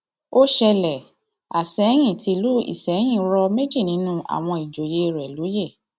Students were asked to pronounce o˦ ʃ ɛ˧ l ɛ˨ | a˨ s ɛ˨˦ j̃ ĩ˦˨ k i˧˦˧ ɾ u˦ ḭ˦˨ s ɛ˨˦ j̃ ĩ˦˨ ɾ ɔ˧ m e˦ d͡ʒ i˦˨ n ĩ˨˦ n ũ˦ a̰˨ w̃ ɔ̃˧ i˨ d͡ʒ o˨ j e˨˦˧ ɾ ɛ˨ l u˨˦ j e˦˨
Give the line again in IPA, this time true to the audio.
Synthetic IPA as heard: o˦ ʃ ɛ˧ l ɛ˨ | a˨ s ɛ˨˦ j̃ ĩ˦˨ t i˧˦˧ l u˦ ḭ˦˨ s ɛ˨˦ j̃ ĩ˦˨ ɾ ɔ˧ m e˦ d͡ʒ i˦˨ n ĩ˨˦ n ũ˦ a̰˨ w̃ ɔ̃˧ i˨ d͡ʒ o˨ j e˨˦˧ ɾ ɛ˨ l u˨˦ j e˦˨